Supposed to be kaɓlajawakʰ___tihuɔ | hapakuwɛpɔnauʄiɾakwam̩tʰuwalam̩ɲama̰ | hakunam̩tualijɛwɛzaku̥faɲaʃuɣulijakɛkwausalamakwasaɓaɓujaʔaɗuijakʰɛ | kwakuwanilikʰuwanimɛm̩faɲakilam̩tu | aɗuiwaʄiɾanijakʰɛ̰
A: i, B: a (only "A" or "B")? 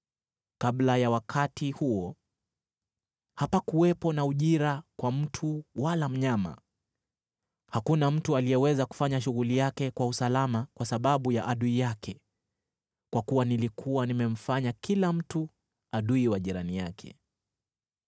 B